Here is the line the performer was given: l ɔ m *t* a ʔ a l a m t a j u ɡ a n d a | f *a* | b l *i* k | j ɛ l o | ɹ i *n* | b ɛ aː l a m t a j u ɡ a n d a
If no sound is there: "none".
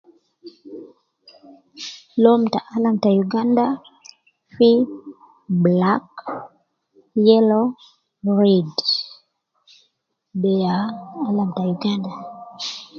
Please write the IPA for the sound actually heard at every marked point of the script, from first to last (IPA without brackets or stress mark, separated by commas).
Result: t, i, a, d